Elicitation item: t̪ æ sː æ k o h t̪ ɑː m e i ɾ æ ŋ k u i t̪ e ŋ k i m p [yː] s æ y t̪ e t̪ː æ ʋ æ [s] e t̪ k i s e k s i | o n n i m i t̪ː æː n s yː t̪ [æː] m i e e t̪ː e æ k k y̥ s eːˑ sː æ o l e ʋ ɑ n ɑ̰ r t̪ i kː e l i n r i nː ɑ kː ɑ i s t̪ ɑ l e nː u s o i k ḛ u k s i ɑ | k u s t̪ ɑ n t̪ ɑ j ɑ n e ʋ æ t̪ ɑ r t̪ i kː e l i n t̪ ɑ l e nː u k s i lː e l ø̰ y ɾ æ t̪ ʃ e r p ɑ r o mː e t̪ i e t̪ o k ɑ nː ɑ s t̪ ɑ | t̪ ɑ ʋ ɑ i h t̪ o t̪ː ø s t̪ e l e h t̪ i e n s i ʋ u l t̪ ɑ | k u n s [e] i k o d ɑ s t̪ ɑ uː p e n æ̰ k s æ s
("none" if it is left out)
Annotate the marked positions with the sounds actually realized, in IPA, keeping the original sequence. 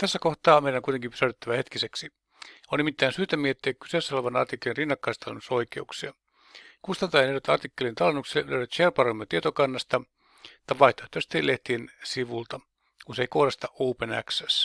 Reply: y, h, æ, e

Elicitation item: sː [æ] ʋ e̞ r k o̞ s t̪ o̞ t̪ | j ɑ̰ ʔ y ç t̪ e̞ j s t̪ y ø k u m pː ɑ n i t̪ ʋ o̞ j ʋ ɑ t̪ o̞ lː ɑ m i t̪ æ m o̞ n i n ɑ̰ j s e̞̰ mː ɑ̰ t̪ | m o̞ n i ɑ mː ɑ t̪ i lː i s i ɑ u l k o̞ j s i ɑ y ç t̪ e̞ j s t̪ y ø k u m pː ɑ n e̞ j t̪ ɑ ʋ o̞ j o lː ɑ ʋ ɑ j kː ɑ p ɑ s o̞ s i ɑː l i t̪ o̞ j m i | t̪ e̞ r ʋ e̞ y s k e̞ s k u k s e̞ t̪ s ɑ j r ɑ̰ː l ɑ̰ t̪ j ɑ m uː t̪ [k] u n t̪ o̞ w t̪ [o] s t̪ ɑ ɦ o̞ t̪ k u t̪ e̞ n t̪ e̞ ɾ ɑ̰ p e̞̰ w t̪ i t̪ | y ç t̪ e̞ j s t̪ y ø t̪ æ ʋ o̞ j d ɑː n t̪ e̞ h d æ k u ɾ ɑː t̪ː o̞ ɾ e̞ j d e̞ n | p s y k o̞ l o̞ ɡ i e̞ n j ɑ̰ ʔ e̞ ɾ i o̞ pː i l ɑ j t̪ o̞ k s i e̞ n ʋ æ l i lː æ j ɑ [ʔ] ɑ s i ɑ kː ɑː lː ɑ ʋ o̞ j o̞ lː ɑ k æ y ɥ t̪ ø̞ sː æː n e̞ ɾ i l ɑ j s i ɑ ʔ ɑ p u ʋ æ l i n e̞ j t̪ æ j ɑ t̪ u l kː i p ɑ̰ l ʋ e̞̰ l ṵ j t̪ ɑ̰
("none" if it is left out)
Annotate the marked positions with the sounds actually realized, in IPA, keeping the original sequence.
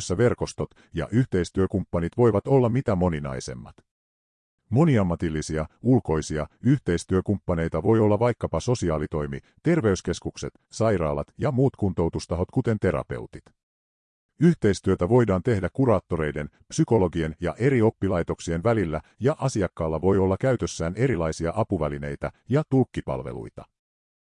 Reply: æ, k, u, ʔ

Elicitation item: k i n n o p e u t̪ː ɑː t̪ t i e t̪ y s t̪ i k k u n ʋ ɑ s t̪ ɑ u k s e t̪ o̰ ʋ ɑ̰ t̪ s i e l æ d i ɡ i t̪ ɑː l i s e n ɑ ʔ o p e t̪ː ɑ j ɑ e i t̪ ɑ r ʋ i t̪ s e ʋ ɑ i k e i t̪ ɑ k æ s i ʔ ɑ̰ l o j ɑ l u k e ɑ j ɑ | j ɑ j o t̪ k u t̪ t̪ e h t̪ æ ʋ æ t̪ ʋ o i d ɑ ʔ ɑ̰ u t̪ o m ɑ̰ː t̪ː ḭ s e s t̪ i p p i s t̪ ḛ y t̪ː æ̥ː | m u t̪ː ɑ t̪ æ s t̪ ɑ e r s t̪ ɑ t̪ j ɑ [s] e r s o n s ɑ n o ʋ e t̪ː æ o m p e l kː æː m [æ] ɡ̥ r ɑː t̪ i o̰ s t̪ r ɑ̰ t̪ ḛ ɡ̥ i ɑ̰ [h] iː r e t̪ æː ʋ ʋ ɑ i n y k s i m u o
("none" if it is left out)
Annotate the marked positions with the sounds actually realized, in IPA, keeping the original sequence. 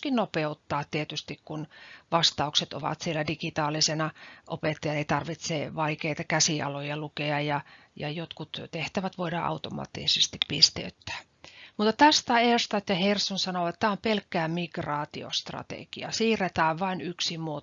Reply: h, i, s

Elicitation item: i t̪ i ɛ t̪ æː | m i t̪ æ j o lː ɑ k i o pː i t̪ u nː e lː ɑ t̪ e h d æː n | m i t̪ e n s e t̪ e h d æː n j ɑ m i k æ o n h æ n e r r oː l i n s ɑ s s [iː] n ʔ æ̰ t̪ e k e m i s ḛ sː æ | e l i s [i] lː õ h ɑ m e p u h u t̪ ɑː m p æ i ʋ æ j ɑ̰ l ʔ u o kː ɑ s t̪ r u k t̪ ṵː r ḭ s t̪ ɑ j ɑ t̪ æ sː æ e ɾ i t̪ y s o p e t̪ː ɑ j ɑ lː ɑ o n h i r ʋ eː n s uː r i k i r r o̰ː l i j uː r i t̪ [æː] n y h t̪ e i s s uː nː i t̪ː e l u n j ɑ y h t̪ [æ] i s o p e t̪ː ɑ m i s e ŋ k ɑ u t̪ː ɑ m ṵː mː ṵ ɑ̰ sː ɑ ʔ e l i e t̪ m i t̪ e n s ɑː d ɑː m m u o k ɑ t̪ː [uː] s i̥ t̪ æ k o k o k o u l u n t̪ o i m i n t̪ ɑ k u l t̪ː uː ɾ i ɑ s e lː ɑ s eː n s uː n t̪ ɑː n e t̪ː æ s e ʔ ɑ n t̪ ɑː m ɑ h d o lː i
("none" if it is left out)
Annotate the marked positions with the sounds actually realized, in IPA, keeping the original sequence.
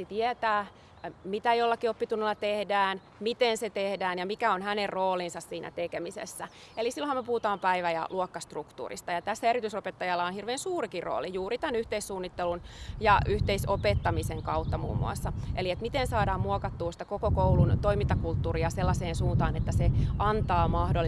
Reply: iː, i, æ, e, uː

